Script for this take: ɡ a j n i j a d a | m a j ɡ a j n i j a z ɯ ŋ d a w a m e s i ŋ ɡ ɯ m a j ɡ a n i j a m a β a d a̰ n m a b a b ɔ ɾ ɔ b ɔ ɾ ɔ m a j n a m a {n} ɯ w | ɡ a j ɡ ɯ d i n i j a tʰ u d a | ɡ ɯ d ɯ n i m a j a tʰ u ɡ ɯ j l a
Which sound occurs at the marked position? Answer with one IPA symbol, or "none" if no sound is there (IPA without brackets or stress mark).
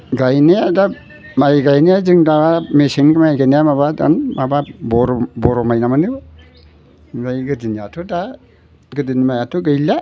n